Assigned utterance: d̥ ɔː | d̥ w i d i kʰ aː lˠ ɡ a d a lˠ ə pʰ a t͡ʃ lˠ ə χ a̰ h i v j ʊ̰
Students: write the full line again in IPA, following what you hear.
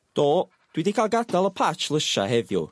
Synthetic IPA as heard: d̥ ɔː | d̥ w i d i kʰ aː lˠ ɡ a d a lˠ ə pʰ a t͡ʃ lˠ ə ʃ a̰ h ɛ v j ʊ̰